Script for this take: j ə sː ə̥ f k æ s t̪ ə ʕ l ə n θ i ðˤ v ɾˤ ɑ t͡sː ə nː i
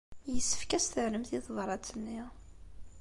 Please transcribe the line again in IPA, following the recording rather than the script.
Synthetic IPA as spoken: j ə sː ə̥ f k æ s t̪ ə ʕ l ə m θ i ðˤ v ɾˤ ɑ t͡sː ə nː i